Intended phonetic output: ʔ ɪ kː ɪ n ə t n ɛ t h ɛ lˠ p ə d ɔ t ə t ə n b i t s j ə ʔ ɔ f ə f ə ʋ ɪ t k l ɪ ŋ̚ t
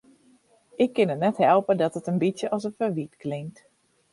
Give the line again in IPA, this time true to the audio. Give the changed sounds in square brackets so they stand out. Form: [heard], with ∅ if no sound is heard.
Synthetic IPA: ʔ ɪ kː ɪ n ə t n ɛ t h ɛ lˠ p ə d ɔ t ə t ə n b i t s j ə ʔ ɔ [s] ə f ə ʋ [i] t k l ɪ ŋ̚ t